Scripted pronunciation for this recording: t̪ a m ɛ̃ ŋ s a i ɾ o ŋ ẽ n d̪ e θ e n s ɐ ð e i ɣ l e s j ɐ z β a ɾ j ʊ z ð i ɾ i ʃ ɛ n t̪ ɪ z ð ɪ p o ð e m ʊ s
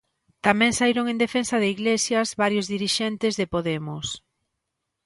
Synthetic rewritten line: t̪ a m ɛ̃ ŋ s a i ɾ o ŋ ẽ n d̪ e f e n s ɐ ð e i ɣ l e s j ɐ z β a ɾ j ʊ z ð i ɾ i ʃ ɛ n t̪ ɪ z ð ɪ p o ð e m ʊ s

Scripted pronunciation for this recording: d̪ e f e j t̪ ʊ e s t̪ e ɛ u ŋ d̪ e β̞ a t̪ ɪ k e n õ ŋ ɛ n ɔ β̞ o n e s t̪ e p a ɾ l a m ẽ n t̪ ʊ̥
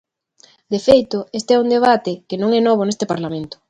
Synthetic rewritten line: d̪ e f e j t̪ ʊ e s t̪ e ɛ u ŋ d̪ e β̞ a t̪ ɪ k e n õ ŋ ɛ n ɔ β̞ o n e s t̪ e p a ɾ l a m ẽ n t̪ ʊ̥

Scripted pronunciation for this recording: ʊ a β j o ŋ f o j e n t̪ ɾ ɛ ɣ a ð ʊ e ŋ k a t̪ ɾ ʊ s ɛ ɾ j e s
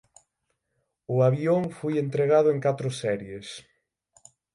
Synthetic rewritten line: ʊ a β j o ŋ f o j e n t̪ ɾ e ɣ a ð ʊ e ŋ k a t̪ ɾ ʊ s ɛ ɾ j e s

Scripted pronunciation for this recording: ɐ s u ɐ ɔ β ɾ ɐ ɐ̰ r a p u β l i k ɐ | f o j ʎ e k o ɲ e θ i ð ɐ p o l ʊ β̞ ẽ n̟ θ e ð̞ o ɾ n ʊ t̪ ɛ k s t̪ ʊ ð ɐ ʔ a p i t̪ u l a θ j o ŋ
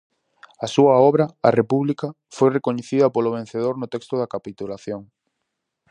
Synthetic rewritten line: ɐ s u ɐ ɔ β ɾ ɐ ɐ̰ r e p u β l i k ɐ | f o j r e k o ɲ e θ i ð ɐ p o l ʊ β̞ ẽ n̟ θ e ð̞ o ɾ n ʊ t̪ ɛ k s t̪ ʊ ð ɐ k a p i t̪ u l a θ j o ŋ

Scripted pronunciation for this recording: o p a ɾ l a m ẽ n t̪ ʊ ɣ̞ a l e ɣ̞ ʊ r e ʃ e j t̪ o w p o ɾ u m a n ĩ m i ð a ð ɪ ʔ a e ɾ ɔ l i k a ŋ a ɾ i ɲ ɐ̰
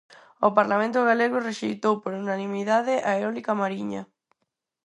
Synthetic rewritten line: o p a ɾ l a m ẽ n t̪ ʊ ɣ̞ a l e ɣ̞ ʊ r e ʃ e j t̪ o w p o ɾ u n a n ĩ m i ð a ð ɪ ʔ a e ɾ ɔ l i k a m a ɾ i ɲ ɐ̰

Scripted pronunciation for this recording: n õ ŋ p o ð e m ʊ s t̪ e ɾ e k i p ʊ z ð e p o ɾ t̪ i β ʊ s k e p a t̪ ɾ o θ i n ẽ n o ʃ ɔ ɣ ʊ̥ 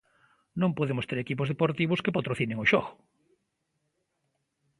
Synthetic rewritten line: n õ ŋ p o ð e m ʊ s t̪ e ɾ e k i p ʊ z ð e p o ɾ t̪ i β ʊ s k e p a t̪ ɾ o θ i n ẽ ŋ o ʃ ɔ ɣ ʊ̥

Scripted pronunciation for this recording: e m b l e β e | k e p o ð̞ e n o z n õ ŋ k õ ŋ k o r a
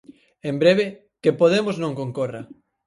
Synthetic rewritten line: e m b ɾ e β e | k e p o ð̞ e m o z n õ ŋ k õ ŋ k o r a

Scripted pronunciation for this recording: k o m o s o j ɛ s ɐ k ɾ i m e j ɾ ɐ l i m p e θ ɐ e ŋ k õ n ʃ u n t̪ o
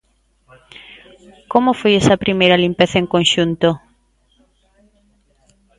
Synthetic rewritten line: k o m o f o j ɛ s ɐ p ɾ i m e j ɾ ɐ l i m p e θ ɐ e ŋ k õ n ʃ u n t̪ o

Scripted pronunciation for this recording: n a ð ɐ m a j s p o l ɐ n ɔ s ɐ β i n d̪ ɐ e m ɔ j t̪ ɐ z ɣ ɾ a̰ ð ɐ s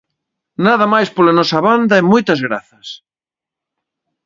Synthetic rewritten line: n a ð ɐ m a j s p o l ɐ n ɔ s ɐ β a n d̪ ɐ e m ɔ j t̪ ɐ z ɣ ɾ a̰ θ ɐ s

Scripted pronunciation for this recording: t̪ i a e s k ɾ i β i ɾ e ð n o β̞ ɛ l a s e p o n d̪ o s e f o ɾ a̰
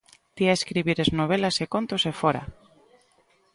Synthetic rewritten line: t̪ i a e s k ɾ i β i ɾ e z n o β̞ e l a s e k o n t̪ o s e f o ɾ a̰

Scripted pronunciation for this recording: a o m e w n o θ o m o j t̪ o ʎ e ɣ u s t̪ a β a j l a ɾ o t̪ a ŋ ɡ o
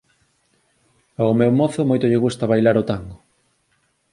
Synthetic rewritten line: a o m e w m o θ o m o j t̪ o ʎ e ɣ u s t̪ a β a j l a ɾ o t̪ a ŋ ɡ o

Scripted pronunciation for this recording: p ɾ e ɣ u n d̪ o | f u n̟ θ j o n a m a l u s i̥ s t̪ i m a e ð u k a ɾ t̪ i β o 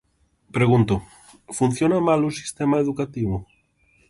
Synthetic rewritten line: p ɾ e ɣ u n t̪ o | f u n̟ θ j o n a m a l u s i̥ s t̪ e m a e ð u k a t̪ i β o

